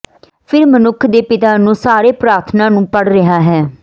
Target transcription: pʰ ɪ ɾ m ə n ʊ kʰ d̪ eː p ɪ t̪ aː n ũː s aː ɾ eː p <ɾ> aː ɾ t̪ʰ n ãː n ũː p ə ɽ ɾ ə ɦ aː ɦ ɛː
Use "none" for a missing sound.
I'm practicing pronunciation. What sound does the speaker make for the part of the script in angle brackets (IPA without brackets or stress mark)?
ɾ